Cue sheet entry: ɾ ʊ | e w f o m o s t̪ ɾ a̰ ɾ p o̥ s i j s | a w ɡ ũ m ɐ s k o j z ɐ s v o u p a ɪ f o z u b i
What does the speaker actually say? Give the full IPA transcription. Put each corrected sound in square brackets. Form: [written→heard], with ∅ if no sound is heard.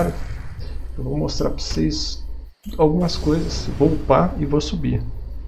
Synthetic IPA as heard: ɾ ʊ | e w [f→v] o m o s t̪ ɾ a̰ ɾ p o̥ s [i→e] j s | a w ɡ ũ m ɐ s k o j z ɐ s v o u p a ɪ [f→v] o [z→s] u b i